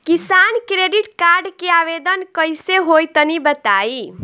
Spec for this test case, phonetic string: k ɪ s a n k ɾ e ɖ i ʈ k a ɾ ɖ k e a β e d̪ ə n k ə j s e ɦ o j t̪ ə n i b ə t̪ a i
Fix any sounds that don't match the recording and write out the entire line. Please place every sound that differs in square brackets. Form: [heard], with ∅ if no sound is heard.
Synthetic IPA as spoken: k [i] s a n k ɾ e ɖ i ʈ k a ɾ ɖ k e a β e d̪ ə n k ə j s e ɦ o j t̪ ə n i b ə t̪ a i